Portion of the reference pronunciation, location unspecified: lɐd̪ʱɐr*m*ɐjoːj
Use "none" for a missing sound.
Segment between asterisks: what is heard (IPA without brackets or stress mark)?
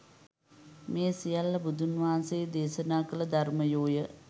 m